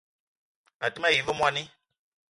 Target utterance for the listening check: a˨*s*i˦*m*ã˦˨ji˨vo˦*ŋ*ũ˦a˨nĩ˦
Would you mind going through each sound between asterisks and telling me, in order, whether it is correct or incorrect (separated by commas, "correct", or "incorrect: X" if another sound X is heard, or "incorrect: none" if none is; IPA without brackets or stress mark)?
incorrect: t, correct, incorrect: m